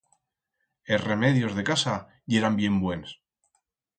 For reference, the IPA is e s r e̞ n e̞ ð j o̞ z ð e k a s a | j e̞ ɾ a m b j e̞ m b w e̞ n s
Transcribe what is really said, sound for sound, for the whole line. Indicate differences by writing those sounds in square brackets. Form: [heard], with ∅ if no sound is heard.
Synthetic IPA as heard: e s r e̞ [m] e̞ ð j o̞ z ð e k a s a | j e̞ ɾ a m b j e̞ m b w e̞ n s

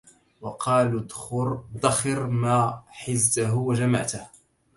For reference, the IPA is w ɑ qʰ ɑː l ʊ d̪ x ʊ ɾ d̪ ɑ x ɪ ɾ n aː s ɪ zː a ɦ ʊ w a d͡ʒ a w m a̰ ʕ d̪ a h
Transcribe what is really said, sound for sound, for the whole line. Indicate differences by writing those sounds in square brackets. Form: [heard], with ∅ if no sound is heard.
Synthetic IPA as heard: w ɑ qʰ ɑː l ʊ d̪ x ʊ ɾ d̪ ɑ x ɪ ɾ [m] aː [ħ] ɪ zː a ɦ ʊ w a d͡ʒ a [∅] m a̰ ʕ [t̪] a h

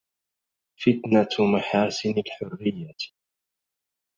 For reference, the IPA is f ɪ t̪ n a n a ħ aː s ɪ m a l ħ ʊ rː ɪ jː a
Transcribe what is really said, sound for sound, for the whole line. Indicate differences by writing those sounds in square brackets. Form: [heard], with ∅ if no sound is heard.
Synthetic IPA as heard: f ɪ t̪ n a [m] a ħ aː s ɪ [n] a l ħ ʊ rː ɪ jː a

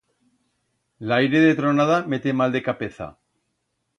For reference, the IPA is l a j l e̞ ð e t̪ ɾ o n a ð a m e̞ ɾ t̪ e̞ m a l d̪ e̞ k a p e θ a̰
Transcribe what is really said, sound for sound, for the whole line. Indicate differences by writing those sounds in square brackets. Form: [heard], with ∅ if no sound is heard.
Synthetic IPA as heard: l a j [ɾ] e̞ ð e t̪ ɾ o n a ð a m e̞ [∅] t̪ e̞ m a l d̪ e̞ k a p e θ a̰

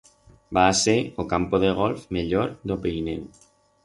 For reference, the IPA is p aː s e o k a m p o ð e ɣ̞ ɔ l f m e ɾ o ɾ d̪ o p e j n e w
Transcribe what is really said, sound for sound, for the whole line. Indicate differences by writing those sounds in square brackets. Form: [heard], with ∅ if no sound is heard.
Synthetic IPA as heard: [b] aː s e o k a m p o ð e ɣ̞ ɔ l f m e [ʎ] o ɾ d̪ o p e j n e w

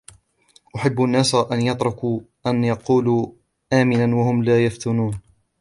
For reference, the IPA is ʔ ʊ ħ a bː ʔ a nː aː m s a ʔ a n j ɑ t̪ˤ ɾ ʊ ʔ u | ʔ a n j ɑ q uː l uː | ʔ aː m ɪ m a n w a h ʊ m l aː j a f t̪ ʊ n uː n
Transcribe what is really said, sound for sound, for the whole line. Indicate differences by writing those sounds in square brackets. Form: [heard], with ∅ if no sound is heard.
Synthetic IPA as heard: ʔ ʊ ħ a bː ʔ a nː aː [∅] s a ʔ a n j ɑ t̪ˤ ɾ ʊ [k] u | ʔ a n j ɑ q uː l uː | ʔ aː m ɪ [n] a n w a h ʊ m l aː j a f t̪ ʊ n uː n

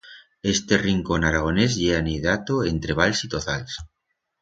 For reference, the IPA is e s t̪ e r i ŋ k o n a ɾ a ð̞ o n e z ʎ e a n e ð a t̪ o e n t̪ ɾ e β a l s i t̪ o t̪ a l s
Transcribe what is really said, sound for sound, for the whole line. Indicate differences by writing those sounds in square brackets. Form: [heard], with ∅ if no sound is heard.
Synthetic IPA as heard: e s t̪ e r i ŋ k o n a ɾ a [ɣ̞] o n e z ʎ e a n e ð a t̪ o e n t̪ ɾ e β a l s i t̪ o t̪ a l s

